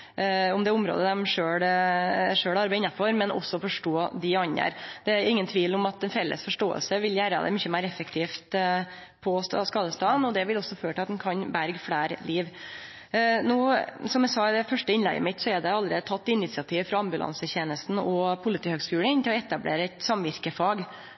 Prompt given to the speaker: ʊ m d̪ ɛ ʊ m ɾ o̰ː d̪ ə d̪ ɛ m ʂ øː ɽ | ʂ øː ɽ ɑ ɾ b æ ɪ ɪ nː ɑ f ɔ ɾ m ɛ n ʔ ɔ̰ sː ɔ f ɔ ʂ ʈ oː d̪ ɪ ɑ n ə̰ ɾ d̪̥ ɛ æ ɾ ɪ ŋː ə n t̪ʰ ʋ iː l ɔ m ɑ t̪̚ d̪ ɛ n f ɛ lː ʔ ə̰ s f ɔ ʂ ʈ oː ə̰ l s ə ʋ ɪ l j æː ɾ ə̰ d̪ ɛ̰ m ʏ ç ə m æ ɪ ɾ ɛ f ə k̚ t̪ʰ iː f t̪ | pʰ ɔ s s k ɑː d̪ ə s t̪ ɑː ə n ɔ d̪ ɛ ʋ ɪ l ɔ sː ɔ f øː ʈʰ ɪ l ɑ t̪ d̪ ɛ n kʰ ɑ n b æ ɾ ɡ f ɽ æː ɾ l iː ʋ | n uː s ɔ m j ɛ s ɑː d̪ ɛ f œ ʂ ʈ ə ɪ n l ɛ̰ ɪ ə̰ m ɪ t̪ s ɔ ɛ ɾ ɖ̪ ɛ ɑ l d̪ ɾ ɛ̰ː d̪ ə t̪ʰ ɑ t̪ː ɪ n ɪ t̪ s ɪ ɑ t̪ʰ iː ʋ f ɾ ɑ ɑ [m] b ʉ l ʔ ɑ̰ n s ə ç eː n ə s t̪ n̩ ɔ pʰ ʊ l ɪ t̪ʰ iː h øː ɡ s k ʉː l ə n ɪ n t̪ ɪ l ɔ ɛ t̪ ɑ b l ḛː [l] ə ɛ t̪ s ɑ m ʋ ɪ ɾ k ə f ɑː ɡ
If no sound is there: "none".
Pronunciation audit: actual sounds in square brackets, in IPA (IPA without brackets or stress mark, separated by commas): m, ɾ